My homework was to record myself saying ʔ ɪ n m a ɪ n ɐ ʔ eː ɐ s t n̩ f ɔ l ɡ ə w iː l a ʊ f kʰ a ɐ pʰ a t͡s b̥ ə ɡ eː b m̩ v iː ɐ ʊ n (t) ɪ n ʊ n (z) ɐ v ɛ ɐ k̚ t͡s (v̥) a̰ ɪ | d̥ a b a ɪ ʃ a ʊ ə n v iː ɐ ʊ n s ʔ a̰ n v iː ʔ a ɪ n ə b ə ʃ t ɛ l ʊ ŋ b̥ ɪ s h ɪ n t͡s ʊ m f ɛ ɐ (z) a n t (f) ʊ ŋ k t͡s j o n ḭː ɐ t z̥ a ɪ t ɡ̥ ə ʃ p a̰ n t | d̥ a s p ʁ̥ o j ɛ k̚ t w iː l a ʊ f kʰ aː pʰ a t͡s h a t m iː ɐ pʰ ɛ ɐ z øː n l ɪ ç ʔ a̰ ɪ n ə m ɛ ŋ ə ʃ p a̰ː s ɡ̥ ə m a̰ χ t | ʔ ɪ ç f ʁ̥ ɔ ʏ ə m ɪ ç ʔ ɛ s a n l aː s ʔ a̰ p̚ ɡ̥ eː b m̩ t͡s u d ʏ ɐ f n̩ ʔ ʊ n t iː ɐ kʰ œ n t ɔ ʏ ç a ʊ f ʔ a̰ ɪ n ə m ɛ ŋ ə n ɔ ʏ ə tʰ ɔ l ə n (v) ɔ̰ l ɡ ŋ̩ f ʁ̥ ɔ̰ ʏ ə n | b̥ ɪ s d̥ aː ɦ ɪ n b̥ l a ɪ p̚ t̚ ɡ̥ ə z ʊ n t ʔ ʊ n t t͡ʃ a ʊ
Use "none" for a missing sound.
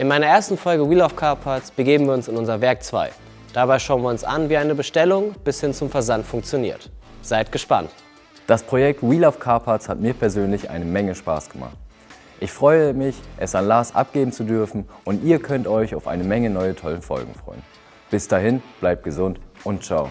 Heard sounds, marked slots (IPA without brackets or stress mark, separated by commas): s, z, v̥, z, f, f